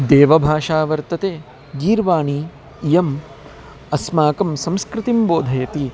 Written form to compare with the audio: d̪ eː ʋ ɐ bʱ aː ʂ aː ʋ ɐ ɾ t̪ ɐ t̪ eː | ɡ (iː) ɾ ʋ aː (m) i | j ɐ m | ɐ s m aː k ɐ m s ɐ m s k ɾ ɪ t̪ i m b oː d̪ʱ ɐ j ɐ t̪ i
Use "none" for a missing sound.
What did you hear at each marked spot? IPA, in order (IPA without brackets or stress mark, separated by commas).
iː, ɳ